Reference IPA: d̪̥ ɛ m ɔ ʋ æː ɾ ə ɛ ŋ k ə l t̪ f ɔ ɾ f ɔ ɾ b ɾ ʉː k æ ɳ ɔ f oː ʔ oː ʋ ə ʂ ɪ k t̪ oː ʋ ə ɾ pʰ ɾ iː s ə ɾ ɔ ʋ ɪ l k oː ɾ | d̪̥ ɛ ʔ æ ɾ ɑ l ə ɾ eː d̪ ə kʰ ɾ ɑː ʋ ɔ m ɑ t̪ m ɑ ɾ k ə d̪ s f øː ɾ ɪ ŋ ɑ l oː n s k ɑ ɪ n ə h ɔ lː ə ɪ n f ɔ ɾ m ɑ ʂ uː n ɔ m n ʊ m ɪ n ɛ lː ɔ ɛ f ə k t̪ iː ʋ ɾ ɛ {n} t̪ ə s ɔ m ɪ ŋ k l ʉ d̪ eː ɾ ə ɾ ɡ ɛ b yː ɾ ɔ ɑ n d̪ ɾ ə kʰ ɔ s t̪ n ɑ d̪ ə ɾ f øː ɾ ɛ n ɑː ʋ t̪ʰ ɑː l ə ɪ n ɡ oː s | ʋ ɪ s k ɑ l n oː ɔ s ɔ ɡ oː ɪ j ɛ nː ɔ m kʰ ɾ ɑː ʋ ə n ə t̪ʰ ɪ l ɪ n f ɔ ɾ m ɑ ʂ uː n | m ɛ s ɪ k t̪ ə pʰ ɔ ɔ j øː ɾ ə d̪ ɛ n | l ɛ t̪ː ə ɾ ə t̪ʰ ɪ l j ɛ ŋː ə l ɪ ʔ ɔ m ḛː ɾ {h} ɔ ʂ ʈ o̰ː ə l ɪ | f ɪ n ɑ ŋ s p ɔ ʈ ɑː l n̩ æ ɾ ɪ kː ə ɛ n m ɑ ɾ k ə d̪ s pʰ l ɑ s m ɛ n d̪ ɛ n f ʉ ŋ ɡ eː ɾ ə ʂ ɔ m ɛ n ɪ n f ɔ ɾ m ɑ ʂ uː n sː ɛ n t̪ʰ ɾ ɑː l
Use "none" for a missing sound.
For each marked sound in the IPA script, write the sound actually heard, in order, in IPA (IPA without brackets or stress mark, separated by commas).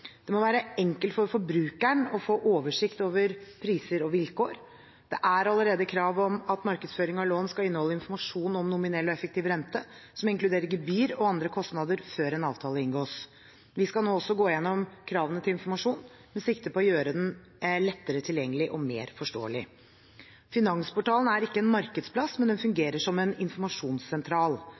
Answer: n, f